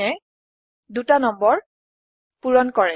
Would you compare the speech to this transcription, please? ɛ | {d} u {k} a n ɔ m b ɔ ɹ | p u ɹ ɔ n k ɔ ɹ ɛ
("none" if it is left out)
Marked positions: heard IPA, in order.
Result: d, t

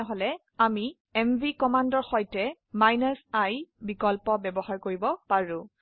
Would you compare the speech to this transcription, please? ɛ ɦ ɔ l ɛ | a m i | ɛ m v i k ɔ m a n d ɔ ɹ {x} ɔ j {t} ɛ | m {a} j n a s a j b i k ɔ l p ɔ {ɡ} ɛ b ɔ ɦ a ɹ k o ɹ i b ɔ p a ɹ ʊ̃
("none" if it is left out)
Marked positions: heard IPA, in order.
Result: x, t, a, b

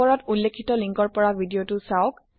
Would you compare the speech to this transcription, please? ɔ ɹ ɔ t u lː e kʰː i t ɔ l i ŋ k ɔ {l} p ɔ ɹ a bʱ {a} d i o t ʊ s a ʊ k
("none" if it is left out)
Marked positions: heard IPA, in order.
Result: ɹ, i

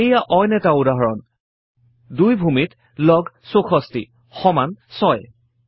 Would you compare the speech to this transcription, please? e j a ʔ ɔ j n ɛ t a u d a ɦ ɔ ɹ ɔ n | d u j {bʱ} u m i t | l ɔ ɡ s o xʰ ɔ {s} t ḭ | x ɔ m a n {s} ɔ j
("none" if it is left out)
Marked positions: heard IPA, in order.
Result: bʱ, s, s

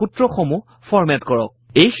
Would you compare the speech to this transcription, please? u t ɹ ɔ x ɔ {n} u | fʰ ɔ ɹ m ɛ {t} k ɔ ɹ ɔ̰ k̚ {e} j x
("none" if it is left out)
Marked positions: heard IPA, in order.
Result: m, t, e

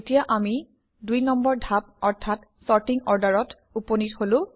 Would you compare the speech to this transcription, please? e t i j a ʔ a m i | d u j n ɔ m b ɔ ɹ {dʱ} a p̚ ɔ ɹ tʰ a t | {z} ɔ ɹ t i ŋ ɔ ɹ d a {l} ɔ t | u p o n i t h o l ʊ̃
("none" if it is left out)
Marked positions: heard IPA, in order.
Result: dʱ, s, ɹ

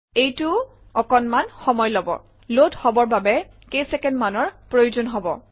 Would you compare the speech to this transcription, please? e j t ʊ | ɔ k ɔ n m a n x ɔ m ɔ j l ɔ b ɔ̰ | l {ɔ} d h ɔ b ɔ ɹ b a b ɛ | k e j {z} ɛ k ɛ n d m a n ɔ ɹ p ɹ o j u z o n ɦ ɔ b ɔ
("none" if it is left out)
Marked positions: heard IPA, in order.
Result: o, s

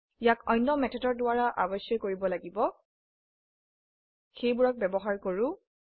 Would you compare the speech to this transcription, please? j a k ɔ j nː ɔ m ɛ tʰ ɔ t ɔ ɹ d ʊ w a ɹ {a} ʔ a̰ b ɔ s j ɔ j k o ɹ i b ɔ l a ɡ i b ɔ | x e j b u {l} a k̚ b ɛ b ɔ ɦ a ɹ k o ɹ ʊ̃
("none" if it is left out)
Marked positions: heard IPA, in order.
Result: a, ɹ

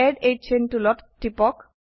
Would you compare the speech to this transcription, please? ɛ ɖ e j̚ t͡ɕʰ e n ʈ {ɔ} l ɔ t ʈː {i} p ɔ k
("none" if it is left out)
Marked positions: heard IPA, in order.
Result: u, i

